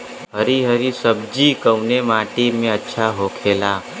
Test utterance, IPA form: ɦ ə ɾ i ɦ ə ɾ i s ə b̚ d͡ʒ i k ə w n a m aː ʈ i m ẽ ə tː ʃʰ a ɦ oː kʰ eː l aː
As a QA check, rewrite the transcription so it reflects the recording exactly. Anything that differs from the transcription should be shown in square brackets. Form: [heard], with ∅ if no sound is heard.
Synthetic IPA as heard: ɦ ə ɾ i ɦ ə ɾ i s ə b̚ d͡ʒ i k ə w n [e] m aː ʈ i m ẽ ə tː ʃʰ a ɦ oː kʰ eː l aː